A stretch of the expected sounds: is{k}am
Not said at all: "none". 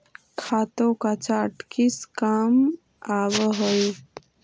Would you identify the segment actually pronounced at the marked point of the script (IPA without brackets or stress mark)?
k